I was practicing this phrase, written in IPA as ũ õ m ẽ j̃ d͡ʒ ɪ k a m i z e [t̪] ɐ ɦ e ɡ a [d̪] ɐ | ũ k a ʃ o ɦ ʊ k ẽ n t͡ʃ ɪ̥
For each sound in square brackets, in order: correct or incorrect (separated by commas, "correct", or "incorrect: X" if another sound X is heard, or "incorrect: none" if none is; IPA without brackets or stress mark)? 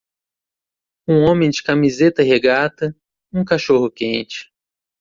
correct, incorrect: t̪